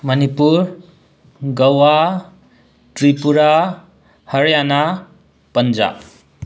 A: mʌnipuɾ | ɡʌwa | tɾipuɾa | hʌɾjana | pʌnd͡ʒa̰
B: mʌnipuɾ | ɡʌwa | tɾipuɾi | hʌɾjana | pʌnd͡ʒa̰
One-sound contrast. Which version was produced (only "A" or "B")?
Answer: A